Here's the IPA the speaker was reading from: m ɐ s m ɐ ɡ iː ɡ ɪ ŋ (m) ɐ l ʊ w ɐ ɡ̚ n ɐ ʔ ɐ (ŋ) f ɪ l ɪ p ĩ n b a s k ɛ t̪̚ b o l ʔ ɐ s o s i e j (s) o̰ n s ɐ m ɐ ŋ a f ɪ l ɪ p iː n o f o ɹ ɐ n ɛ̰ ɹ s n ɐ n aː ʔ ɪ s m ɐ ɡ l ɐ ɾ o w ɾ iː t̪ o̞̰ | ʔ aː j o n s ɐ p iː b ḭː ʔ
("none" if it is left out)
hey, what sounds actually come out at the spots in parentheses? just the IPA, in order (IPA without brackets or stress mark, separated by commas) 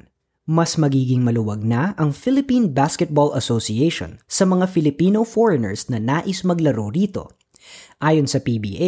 m, ŋ, ʃ